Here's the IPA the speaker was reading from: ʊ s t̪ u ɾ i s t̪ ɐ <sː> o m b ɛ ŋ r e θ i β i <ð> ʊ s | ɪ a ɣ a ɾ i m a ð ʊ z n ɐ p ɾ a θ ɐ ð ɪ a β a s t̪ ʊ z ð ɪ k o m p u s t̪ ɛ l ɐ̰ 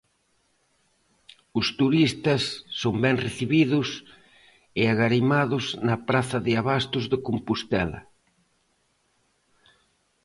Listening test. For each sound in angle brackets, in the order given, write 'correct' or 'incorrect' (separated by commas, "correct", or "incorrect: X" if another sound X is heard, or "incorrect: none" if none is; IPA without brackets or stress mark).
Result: correct, correct